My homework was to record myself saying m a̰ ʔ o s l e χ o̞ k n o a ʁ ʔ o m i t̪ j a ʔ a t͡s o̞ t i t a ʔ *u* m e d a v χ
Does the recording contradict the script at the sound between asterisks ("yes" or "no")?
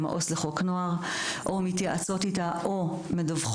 yes